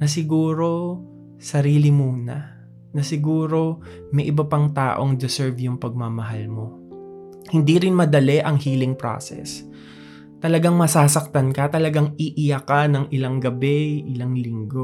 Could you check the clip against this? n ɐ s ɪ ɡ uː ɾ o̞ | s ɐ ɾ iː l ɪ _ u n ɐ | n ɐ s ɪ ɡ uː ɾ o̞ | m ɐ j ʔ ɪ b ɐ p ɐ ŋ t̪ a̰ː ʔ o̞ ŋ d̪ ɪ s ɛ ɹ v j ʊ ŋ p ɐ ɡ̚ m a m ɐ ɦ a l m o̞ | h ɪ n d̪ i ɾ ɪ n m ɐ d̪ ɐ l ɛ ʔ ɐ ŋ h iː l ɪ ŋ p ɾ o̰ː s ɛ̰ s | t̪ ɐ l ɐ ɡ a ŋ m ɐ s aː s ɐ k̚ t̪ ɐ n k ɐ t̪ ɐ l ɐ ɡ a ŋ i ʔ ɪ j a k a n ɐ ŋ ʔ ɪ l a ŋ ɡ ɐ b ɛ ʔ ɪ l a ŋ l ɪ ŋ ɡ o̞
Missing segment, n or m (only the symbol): m